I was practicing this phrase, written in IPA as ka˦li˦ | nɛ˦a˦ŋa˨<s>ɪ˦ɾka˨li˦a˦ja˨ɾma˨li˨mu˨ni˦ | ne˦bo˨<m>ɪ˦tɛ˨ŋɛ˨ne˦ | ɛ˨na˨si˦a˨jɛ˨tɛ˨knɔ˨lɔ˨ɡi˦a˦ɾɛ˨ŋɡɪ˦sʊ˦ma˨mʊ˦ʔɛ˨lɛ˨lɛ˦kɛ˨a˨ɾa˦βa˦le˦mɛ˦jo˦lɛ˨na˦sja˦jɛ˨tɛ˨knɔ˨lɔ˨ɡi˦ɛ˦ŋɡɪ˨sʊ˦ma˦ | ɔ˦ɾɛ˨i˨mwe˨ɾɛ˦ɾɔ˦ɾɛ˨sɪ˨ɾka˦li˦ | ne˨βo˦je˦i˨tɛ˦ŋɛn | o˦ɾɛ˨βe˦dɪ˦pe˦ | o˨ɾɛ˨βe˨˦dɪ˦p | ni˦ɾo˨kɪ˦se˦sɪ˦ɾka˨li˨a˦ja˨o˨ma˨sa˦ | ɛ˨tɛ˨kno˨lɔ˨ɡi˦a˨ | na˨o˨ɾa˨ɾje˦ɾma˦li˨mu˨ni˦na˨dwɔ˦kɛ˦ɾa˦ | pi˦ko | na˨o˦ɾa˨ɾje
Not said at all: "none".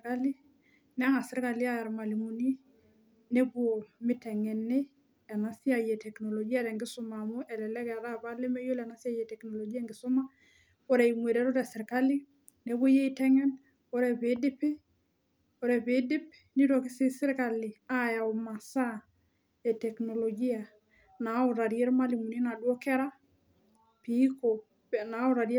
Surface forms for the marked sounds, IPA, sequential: s, m

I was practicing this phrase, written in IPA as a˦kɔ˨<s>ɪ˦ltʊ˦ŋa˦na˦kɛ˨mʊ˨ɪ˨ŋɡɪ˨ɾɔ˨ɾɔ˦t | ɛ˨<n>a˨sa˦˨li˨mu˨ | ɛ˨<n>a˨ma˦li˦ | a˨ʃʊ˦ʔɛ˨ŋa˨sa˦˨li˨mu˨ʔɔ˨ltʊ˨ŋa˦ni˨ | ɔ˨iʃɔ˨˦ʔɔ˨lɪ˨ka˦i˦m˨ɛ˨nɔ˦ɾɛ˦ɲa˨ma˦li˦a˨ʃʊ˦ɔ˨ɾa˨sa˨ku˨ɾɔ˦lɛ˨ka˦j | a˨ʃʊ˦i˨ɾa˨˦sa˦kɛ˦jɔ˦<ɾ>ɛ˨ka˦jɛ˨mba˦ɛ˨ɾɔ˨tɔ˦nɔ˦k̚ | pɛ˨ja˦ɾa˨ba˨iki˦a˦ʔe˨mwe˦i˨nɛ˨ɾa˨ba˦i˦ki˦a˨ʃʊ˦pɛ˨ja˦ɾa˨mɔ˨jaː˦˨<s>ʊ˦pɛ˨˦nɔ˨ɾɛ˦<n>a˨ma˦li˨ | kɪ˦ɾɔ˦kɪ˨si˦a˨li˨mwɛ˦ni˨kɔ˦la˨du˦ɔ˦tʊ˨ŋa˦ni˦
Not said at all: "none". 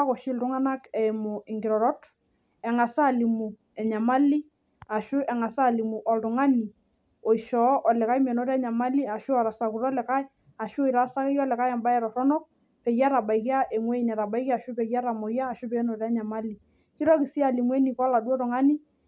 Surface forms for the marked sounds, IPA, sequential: ʃ, ŋ, ɲ, l, ʃ, ɲ

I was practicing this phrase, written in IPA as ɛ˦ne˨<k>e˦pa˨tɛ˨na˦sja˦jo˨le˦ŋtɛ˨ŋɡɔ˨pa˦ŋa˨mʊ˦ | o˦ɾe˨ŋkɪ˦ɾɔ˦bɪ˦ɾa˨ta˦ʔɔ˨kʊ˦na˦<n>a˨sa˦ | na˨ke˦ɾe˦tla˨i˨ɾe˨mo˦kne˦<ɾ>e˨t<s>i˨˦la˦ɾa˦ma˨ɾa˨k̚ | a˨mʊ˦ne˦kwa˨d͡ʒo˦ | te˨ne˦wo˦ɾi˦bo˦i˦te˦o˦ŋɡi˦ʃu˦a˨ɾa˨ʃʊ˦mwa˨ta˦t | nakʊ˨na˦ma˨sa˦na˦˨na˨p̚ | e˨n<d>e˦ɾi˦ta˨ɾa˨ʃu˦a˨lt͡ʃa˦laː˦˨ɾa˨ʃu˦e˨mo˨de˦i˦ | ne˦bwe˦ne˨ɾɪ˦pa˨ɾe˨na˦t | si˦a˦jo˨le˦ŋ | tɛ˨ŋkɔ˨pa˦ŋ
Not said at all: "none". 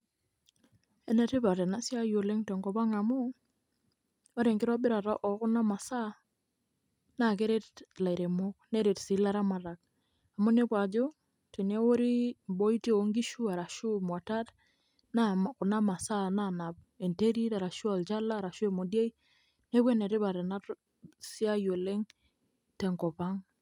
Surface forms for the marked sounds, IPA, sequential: t, m, ɾ, s, t

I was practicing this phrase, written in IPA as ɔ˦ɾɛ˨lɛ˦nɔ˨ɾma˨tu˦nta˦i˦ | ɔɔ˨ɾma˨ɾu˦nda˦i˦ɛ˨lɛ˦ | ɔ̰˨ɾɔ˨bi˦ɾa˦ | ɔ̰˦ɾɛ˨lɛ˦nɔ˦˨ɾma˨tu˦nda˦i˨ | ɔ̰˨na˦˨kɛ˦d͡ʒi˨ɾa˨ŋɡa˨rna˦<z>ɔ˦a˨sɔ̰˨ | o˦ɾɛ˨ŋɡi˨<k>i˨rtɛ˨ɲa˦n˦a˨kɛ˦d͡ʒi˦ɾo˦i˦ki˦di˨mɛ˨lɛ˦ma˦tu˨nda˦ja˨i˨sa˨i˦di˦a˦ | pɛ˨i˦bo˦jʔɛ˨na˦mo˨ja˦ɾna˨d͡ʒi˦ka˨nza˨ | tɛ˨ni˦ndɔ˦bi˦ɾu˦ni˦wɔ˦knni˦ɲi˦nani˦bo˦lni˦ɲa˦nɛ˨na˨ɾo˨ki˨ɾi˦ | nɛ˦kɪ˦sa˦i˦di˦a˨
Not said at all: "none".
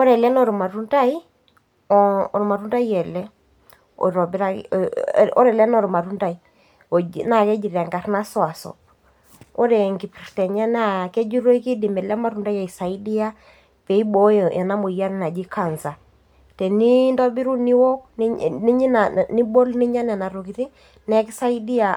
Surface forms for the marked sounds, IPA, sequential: s, p

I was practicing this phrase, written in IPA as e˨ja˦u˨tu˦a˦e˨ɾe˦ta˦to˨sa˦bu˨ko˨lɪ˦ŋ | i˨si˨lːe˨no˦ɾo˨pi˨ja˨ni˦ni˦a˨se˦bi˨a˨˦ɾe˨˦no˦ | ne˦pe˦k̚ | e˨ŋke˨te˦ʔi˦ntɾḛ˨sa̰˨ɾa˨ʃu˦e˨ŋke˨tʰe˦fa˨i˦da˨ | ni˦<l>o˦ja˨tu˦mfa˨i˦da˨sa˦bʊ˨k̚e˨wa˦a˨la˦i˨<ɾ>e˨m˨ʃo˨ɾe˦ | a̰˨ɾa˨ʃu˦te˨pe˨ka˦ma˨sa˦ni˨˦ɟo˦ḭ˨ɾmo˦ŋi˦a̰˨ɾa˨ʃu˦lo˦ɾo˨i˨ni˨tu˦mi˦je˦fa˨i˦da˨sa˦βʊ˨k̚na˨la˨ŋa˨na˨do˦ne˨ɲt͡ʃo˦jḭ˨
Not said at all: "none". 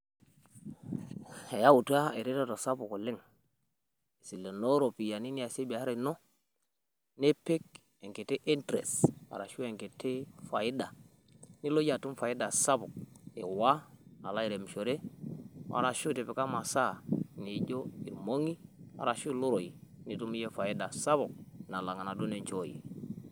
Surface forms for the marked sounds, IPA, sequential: l, ɾ

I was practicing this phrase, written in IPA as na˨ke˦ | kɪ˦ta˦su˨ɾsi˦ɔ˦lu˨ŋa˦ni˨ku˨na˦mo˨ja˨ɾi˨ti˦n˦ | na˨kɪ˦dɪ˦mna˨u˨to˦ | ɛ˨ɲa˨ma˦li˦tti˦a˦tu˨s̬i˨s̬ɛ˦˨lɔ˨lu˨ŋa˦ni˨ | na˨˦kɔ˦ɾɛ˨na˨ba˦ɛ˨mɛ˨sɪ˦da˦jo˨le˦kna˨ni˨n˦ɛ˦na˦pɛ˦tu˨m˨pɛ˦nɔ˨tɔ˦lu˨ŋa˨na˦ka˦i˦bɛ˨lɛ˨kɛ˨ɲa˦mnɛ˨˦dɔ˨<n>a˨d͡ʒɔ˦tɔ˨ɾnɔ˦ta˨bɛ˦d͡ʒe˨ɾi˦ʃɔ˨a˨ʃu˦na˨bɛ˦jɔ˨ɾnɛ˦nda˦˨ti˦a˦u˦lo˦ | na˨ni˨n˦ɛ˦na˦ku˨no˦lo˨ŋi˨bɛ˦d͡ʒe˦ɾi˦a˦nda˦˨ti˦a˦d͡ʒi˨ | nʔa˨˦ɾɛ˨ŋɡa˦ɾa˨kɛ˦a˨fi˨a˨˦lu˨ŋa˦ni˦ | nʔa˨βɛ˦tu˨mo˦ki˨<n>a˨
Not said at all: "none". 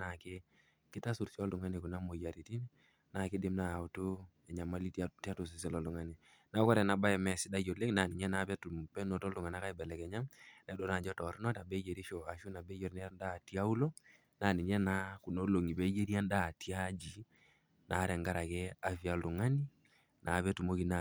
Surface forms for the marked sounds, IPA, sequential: n, n

